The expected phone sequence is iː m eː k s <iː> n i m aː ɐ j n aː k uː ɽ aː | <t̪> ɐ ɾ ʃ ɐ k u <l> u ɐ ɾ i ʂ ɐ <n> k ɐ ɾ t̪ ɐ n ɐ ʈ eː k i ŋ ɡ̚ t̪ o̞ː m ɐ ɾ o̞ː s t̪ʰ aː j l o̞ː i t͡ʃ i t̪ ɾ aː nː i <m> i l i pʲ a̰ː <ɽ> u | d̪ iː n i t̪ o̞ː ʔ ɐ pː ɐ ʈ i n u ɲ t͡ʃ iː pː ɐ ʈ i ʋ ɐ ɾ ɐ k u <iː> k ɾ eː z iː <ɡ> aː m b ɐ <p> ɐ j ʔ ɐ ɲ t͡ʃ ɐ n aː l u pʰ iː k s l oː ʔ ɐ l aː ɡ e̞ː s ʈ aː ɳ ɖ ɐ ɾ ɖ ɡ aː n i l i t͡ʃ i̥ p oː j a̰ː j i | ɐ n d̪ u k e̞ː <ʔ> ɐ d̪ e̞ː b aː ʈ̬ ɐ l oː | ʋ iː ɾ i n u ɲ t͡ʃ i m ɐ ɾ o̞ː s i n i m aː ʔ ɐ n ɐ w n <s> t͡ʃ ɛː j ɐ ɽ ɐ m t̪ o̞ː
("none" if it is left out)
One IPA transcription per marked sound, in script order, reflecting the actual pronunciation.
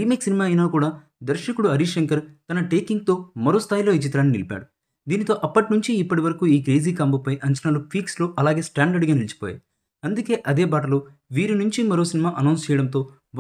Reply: i, d̪, ɽ, ŋ, n, ɽ, iː, k, p, ʔ, s

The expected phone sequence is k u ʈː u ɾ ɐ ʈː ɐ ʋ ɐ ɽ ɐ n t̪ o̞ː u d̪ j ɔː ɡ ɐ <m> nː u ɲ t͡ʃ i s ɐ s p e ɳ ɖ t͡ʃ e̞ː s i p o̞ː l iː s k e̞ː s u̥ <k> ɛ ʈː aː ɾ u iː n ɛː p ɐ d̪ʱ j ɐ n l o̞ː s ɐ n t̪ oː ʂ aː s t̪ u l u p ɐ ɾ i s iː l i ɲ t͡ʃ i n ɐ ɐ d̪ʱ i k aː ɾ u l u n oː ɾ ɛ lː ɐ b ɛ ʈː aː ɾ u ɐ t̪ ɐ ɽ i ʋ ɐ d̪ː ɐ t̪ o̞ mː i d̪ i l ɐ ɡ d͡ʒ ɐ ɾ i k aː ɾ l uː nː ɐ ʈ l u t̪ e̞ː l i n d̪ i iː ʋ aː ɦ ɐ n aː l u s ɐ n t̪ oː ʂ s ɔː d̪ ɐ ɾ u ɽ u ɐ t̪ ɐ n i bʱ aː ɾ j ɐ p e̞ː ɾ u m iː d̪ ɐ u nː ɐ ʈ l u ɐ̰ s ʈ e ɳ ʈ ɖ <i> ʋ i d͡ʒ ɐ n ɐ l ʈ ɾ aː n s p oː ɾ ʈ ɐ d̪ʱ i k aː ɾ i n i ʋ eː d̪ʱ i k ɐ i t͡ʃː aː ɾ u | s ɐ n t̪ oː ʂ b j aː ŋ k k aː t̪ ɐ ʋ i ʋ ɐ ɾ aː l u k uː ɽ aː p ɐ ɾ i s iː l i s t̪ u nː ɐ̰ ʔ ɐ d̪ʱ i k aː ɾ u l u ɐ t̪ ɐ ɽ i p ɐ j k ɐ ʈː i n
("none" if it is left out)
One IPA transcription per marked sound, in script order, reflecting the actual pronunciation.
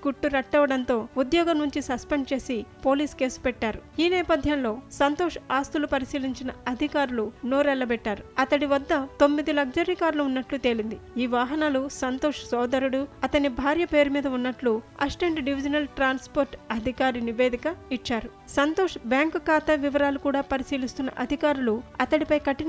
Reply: m, p, i

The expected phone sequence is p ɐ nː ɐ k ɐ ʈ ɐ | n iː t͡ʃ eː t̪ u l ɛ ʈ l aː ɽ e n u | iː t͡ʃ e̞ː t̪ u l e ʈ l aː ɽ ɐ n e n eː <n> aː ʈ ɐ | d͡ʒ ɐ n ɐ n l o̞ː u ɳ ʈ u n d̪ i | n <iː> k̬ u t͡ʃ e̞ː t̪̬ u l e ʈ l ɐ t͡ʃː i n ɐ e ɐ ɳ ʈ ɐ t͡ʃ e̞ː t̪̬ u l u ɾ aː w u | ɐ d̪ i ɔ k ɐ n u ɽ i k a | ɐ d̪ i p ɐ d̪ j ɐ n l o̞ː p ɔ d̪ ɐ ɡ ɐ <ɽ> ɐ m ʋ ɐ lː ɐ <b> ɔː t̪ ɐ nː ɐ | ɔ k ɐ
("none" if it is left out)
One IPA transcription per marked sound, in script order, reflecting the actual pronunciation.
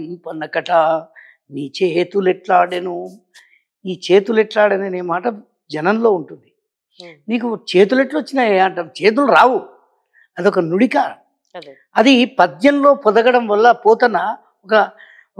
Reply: m, iː, ɽ, p

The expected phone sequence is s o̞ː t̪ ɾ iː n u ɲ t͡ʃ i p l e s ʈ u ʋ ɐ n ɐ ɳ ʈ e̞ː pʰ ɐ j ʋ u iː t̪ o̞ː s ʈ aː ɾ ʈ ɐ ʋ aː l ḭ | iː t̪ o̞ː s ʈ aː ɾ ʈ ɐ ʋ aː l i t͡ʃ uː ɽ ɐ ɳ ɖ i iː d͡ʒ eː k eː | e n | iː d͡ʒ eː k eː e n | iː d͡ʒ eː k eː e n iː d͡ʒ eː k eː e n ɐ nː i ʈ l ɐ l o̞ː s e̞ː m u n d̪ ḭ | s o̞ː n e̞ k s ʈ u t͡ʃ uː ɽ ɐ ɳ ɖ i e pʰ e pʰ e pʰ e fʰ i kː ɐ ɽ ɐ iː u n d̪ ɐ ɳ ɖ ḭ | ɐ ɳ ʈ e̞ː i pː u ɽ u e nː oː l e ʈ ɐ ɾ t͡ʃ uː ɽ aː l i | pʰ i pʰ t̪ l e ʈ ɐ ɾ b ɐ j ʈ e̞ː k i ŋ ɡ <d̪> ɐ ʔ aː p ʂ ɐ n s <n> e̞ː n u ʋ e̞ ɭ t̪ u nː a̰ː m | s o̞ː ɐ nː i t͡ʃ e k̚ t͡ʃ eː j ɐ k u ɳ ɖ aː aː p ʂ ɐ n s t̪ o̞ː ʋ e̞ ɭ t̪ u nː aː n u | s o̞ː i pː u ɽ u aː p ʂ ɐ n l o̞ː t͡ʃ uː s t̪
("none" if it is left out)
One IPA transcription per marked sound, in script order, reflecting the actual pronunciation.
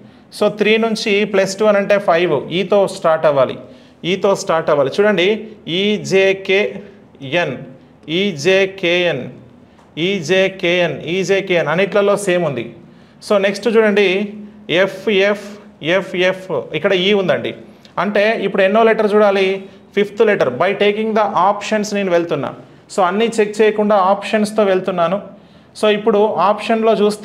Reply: d̪, n

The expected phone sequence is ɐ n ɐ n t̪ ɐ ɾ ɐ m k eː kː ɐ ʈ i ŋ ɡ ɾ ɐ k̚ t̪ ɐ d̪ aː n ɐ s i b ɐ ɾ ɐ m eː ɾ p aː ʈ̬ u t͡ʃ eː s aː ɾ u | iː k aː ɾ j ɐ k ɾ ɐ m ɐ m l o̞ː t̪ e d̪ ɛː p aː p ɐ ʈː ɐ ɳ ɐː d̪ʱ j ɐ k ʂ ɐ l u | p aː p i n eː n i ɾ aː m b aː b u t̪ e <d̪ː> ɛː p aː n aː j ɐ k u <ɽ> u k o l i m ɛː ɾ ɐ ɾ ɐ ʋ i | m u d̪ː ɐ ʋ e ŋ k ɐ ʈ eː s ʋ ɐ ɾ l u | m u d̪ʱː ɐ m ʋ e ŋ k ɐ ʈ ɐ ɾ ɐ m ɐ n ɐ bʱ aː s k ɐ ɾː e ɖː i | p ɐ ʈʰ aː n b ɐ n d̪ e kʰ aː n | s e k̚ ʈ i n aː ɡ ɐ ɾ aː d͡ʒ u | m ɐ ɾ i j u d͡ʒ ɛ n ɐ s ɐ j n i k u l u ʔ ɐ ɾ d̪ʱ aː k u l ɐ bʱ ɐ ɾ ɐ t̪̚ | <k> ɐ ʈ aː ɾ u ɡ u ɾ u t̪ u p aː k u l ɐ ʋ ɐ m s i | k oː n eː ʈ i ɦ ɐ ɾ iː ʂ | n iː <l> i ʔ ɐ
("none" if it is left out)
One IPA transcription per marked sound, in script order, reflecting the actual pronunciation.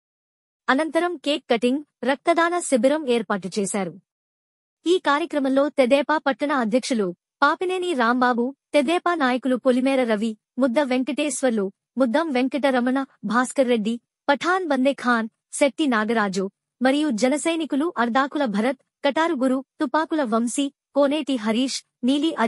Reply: d̪, l, k, l

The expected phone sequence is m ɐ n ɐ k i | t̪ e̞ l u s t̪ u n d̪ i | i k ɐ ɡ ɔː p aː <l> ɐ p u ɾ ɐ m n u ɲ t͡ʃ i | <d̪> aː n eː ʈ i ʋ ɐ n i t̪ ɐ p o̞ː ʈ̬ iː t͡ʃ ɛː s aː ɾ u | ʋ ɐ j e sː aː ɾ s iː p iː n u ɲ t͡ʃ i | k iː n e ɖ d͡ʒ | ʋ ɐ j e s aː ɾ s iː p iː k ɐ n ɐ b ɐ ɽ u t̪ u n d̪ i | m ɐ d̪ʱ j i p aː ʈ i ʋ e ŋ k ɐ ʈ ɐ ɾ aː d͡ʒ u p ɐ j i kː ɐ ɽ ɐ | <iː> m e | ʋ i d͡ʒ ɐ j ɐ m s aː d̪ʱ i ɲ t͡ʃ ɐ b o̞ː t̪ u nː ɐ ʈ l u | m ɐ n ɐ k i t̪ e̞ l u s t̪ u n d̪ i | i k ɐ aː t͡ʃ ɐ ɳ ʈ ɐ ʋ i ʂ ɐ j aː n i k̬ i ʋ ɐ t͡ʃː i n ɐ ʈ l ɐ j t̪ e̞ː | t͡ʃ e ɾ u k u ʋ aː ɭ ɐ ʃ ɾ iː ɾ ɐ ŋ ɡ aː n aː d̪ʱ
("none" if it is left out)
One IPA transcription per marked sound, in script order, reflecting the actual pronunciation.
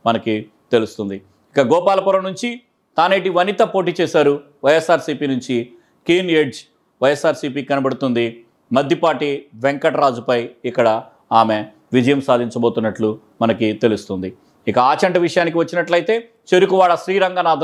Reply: l, t̪, aː

